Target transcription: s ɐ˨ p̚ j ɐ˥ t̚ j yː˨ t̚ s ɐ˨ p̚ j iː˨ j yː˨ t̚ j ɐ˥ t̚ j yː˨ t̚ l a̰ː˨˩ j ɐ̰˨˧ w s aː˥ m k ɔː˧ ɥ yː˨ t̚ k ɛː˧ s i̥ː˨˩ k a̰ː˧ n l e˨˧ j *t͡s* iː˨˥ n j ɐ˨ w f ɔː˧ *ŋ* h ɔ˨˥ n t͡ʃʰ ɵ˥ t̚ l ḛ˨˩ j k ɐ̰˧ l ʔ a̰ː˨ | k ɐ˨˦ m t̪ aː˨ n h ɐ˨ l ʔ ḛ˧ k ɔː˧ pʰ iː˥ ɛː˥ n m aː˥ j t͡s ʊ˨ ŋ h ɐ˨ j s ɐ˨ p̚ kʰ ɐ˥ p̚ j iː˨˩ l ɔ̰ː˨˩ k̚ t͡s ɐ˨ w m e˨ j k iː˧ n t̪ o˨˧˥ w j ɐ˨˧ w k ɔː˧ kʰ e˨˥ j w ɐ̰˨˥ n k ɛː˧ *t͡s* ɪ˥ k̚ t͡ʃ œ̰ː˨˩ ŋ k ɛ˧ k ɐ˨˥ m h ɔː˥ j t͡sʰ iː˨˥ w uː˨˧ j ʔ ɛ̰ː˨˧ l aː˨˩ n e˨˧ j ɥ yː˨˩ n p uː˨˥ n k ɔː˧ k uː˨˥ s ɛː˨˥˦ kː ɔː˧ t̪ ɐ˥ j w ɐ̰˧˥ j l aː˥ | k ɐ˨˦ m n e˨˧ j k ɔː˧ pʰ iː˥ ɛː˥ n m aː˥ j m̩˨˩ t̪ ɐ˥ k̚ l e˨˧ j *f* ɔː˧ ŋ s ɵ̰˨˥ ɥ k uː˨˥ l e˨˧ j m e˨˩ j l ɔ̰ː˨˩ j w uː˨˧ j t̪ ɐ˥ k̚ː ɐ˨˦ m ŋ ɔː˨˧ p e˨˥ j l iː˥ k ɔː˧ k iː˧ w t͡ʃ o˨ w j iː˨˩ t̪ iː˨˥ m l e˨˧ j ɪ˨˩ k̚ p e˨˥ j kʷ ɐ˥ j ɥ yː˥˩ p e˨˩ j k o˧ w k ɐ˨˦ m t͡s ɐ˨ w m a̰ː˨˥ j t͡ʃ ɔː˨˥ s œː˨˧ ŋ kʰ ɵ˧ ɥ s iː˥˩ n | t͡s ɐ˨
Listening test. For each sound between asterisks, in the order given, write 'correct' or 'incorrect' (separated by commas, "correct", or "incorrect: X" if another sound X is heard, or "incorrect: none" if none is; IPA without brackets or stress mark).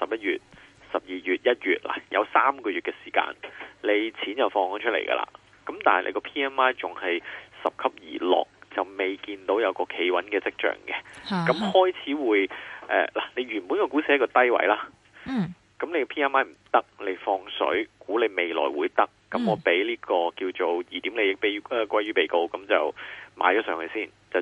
incorrect: t͡sʰ, correct, correct, correct